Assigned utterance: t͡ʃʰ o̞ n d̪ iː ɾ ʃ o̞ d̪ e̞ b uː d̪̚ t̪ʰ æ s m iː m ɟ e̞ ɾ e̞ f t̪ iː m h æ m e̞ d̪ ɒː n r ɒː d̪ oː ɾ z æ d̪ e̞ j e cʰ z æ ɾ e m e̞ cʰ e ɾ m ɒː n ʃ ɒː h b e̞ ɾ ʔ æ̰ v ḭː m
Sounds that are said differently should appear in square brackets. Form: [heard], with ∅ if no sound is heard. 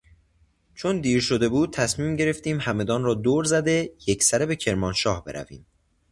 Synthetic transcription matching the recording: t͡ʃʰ o̞ n d̪ iː ɾ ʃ o̞ d̪ e̞ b uː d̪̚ t̪ʰ æ s m iː m ɟ e̞ ɾ e̞ f t̪ iː m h æ m e̞ d̪ ɒː n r ɒː d̪ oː ɾ z æ d̪ e̞ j e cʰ [s] æ ɾ e [b] e̞ cʰ e ɾ m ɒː n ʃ ɒː h b e̞ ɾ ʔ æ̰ v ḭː m